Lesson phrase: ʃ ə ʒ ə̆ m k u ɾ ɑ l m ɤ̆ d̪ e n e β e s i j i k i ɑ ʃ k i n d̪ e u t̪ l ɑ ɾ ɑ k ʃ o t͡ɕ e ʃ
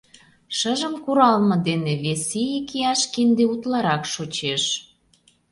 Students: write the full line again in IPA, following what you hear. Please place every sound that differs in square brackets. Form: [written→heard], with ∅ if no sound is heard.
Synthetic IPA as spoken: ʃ ə ʒ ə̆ m k u ɾ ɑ l m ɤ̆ d̪ e n e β e s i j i k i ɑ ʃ k i n d̪ e u t̪ l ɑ ɾ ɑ k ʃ o t͡ɕ e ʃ